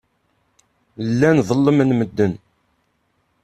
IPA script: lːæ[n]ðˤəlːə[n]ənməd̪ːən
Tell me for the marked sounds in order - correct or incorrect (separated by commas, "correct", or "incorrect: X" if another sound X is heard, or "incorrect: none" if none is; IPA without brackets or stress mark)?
correct, incorrect: m